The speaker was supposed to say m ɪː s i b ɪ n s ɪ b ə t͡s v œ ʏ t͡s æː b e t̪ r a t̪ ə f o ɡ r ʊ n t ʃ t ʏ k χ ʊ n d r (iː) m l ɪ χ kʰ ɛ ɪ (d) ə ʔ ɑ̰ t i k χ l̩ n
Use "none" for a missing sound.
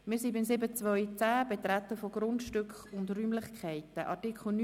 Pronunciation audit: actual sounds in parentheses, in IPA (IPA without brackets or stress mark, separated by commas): yː, t